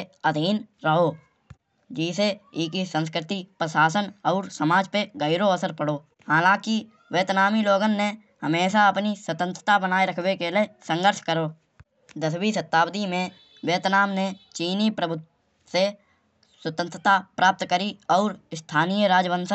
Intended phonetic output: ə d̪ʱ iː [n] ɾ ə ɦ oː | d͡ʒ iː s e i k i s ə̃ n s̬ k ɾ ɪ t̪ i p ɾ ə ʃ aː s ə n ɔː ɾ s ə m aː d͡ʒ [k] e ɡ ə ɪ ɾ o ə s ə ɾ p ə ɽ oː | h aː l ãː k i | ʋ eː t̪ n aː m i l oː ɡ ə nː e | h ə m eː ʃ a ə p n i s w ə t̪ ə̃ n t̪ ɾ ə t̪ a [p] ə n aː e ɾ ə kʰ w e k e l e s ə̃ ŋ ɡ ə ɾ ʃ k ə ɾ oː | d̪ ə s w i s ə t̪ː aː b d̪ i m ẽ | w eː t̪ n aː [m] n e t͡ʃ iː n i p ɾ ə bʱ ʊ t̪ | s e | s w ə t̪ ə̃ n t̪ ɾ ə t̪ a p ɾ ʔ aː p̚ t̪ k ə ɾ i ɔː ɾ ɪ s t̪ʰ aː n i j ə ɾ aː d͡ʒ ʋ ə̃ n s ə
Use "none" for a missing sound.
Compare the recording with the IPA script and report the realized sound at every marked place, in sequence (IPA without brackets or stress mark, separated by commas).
n, p, b, m